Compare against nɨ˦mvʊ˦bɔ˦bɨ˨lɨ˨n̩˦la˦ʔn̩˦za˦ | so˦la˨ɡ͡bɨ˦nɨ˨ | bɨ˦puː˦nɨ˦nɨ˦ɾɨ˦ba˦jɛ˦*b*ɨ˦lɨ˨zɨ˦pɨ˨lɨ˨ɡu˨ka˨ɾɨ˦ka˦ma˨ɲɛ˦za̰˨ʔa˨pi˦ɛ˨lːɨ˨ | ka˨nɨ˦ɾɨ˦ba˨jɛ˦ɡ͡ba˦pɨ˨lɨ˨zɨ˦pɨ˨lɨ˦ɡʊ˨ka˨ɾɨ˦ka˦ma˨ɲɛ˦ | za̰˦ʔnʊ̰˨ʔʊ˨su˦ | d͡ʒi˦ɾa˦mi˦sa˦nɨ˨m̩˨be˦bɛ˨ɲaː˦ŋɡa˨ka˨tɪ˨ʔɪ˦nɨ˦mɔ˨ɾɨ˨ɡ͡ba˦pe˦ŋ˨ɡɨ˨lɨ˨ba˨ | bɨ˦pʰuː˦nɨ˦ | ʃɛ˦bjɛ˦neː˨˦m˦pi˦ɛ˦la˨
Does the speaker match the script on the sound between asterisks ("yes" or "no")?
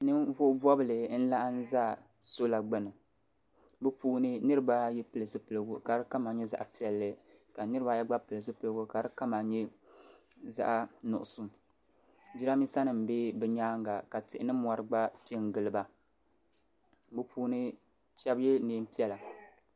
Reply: no